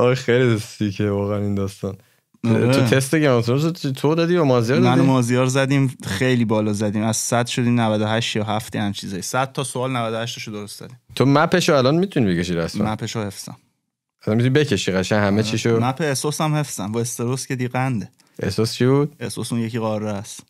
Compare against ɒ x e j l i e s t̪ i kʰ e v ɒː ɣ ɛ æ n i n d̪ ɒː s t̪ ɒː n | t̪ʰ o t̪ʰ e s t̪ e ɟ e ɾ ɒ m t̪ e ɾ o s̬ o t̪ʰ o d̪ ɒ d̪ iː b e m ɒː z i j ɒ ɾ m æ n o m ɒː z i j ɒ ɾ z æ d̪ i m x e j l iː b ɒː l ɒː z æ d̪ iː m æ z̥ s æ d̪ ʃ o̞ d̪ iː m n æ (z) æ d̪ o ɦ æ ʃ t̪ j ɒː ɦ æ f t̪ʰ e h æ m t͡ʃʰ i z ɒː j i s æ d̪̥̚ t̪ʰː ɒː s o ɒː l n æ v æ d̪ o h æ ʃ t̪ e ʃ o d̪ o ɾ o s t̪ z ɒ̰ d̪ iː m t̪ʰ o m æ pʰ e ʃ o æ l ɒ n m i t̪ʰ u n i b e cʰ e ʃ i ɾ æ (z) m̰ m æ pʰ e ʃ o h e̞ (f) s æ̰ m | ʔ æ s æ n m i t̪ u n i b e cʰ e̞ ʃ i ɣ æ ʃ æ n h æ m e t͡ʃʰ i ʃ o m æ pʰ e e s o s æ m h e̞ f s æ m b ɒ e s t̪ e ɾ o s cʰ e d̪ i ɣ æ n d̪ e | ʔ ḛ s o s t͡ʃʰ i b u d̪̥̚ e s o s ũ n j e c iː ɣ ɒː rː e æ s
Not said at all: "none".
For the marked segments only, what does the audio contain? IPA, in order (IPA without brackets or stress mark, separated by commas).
v, s, f